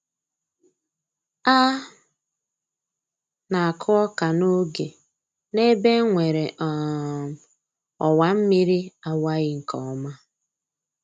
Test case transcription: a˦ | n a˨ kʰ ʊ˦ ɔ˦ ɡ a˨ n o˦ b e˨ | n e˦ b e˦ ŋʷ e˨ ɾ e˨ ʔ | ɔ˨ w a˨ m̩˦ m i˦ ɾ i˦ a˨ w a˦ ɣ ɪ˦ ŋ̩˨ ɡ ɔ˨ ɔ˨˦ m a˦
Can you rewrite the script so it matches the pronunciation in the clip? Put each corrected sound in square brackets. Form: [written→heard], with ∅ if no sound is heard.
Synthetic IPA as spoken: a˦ | n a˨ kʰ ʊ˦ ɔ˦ [ɡ→k] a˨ n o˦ [b→ɡ] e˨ | n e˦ b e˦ ŋʷ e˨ ɾ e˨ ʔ | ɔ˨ w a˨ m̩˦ m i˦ ɾ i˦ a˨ w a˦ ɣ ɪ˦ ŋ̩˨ [ɡ→k] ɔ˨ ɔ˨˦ m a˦